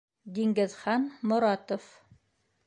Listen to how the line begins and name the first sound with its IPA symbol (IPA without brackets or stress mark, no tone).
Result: d̪